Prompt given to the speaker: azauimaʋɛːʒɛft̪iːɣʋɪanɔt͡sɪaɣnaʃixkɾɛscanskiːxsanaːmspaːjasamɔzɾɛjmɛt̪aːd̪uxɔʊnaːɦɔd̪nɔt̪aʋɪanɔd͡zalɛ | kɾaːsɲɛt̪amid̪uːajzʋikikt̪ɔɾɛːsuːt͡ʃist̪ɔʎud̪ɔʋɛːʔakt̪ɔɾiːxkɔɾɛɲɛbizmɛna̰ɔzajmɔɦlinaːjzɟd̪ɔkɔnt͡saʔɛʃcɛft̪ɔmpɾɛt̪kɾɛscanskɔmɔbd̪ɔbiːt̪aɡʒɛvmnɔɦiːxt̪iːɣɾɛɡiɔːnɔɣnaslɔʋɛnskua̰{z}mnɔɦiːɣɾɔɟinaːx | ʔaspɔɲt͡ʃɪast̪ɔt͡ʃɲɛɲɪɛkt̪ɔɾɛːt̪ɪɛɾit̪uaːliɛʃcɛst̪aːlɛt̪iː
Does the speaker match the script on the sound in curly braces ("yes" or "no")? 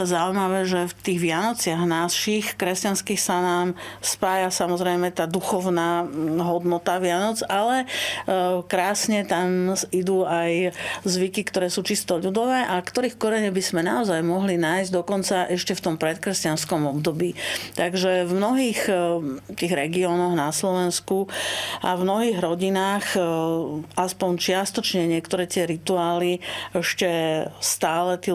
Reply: no